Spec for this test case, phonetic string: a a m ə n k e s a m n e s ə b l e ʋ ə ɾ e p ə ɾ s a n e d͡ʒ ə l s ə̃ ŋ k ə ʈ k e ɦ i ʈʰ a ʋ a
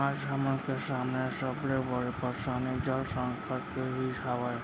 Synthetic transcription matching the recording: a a m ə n k e s a m n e s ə b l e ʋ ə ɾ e p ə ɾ s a n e d͡ʒ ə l s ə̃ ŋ k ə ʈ k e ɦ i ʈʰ a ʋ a